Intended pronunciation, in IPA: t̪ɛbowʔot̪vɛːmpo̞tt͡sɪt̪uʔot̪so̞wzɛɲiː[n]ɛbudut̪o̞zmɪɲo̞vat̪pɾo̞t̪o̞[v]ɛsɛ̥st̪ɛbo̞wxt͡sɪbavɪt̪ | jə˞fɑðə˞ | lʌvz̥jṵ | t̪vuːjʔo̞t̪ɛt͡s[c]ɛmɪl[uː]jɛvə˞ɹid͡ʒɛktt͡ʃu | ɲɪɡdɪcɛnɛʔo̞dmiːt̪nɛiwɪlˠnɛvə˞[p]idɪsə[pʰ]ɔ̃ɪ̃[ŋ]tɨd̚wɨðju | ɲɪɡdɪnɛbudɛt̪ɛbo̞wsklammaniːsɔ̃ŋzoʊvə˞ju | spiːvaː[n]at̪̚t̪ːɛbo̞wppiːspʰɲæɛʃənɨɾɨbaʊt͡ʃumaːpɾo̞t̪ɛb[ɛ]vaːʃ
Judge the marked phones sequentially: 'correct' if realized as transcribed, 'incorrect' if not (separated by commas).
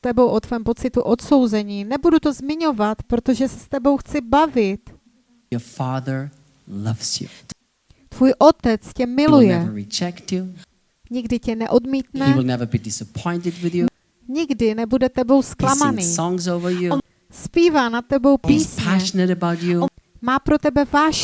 correct, incorrect, correct, incorrect, incorrect, correct, incorrect, correct, correct